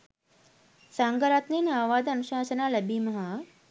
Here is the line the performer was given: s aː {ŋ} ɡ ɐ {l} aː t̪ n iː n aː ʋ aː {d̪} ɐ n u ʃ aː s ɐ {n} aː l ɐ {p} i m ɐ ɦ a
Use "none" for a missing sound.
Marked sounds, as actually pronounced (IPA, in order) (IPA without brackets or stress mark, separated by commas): ŋ, ɾ, d̪, n, b